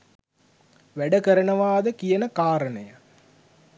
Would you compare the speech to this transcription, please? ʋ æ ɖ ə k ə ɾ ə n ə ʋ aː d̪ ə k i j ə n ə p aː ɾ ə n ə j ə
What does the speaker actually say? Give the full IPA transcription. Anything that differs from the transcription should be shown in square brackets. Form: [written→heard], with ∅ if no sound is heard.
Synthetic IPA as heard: ʋ æ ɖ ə k ə ɾ ə n ə ʋ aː d̪ ə k i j ə n ə [p→k] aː ɾ ə n ə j ə